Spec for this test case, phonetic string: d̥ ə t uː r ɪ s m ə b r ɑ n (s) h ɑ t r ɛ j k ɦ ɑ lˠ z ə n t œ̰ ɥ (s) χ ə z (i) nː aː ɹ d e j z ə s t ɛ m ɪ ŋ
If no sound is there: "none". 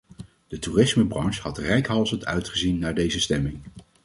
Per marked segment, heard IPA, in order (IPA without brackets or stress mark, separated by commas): ʃ, t, i